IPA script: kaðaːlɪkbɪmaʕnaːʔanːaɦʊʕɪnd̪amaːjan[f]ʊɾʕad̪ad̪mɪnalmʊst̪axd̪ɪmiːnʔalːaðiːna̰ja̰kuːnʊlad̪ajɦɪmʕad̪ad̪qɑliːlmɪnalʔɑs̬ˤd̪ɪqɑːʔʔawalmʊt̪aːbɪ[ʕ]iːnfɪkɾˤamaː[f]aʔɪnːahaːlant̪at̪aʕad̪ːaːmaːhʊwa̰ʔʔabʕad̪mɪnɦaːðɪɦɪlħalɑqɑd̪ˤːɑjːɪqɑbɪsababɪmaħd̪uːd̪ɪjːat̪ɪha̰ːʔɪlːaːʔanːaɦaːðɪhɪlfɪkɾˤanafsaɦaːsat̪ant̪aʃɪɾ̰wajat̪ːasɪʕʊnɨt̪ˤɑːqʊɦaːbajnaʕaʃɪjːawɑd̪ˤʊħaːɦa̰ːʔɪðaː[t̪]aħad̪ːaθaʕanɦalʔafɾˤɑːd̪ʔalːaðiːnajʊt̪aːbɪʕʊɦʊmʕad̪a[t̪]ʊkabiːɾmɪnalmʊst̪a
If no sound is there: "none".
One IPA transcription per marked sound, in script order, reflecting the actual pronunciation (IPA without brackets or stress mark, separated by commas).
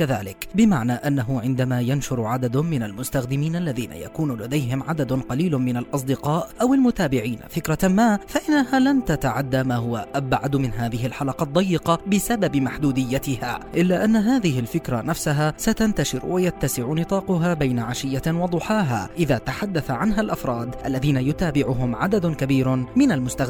ʃ, ʕ, f, t̪, d̪